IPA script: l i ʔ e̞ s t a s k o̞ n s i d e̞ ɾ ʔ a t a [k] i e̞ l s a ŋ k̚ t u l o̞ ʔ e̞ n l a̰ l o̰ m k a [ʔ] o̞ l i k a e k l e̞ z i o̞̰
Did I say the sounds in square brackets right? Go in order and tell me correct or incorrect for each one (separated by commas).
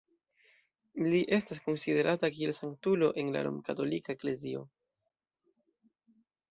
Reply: correct, incorrect